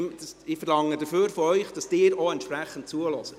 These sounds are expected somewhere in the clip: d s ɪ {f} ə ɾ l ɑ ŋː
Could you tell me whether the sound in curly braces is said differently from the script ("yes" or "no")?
no